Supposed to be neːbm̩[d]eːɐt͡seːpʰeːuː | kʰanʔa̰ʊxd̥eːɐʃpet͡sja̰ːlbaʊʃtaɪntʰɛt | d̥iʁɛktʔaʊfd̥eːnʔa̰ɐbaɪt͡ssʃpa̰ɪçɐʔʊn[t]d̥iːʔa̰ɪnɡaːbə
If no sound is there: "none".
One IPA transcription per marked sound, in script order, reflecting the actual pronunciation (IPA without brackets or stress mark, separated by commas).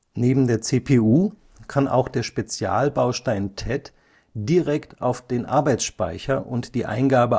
d, t